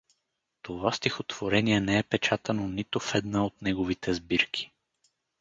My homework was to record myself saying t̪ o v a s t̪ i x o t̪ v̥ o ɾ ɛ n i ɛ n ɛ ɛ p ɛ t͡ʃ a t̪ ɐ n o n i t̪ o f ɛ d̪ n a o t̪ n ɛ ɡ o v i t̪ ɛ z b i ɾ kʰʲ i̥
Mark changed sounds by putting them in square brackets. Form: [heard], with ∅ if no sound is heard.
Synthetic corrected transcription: t̪ o v a s t̪ i x o t̪ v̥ o ɾ ɛ n i ɛ n ɛ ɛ p ɛ t͡ʃ a t̪ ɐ n o n i t̪ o f ɛ d̪ n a o t̪ n ɛ ɡ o v i t̪ ɛ z b i ɾ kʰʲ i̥